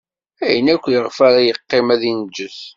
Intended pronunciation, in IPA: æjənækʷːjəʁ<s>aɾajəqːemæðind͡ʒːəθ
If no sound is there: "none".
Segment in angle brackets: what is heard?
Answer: f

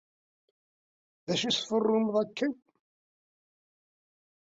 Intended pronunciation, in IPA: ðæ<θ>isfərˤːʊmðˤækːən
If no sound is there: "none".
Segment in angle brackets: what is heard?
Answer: ʃ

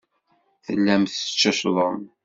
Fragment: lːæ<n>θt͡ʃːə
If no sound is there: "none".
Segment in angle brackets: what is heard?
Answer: m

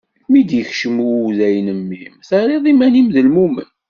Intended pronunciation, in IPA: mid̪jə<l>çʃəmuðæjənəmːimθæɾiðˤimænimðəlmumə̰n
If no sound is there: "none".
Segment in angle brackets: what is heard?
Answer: none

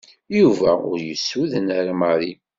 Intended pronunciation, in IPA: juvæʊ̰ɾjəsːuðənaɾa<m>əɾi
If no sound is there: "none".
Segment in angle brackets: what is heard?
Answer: m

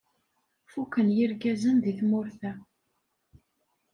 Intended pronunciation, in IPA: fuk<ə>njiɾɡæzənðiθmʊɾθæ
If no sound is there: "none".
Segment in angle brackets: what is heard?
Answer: ə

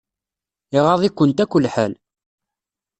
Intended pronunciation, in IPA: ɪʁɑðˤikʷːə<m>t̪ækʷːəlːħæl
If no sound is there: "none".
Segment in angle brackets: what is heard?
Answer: n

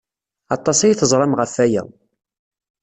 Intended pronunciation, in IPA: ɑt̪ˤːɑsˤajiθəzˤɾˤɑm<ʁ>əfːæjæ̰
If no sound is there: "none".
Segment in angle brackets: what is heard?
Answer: ʁ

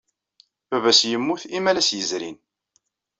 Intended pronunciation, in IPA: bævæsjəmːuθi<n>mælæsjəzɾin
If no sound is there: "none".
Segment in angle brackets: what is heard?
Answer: none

